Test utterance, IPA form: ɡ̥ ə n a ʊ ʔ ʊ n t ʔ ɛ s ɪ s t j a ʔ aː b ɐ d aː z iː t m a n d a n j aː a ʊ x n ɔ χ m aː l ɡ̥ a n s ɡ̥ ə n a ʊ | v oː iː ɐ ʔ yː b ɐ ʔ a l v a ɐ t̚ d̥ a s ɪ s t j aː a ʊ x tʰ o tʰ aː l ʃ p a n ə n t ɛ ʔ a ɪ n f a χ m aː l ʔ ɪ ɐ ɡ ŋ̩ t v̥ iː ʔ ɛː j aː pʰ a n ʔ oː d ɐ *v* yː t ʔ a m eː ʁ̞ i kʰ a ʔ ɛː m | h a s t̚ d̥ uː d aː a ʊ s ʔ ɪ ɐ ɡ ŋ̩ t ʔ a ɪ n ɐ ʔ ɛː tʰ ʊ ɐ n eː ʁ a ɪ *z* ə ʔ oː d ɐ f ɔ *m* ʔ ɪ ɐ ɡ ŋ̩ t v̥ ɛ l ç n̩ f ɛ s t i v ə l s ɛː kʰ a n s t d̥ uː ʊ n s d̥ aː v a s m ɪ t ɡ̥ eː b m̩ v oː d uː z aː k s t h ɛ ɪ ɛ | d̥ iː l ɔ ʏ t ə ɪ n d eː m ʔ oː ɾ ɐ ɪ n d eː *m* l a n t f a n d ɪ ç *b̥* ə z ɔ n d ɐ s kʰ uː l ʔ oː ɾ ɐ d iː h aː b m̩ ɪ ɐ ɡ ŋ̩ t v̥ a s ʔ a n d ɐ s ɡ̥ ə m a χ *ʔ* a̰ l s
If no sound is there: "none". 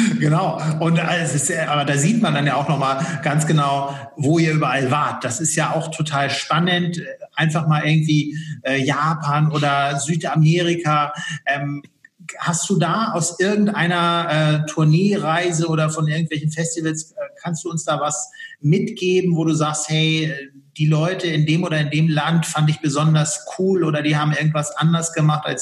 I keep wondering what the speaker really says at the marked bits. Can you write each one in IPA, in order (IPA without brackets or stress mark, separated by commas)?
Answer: z, z, n, m, b̥, t